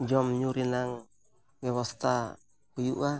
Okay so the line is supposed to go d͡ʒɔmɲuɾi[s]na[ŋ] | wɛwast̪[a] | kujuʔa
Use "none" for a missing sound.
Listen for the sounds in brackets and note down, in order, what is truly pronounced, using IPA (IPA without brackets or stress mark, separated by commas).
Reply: none, ŋ, a